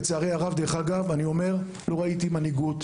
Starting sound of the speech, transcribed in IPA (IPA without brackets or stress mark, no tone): t͡s